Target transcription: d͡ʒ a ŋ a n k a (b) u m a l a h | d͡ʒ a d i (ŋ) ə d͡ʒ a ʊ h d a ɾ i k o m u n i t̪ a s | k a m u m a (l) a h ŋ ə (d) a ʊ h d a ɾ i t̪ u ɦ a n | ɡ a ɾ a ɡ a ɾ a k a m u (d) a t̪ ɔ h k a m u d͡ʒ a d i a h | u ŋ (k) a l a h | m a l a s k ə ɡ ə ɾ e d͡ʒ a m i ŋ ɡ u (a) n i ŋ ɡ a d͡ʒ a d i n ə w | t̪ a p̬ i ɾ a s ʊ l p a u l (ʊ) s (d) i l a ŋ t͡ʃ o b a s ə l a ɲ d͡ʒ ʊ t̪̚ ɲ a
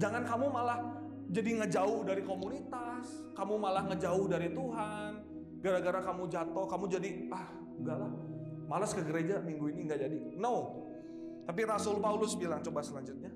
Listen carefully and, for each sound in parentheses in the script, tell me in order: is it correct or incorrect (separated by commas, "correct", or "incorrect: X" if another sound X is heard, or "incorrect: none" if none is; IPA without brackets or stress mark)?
incorrect: m, correct, correct, incorrect: d͡ʒ, incorrect: d͡ʒ, incorrect: ɡ, incorrect: i, correct, incorrect: b